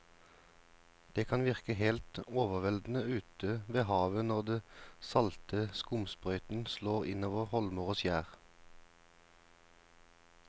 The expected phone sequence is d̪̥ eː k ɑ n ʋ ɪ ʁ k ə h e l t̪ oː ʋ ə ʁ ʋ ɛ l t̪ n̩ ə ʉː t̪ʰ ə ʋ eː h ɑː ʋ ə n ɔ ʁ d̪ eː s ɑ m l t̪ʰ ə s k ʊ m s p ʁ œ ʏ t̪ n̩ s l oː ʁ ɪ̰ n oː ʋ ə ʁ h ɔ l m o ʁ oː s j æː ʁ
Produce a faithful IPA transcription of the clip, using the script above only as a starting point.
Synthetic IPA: d̪̥ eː kʰ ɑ n ʋ ɪ ʁ k ə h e l t̪ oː ʋ ə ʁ ʋ ɛ l d̪ n̩ ə ʉː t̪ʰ ə ʋ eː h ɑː ʋ ə n ɔ ʁ d̪ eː s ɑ l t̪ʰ ə s k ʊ m s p ʁ œ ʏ t̪ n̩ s l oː ʁ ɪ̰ n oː ʋ ə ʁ h ɔ l m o ʁ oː s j æː ʁ